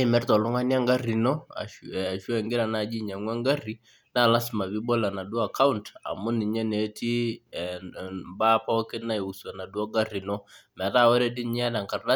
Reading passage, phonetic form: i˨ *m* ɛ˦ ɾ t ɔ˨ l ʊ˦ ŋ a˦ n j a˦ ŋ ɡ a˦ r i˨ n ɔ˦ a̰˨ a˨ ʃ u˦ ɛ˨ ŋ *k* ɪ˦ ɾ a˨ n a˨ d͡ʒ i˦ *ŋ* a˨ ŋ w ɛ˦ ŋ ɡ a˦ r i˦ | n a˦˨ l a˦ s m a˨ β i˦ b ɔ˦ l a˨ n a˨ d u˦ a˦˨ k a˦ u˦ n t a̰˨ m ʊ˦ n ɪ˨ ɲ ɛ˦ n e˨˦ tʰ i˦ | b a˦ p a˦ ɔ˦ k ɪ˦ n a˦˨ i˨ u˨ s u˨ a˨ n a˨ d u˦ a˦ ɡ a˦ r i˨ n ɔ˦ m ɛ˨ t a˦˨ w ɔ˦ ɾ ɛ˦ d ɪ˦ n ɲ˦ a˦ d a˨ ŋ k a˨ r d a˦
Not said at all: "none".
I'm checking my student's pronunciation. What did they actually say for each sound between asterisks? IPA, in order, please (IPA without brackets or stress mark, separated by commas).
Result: m, ɡ, ɲ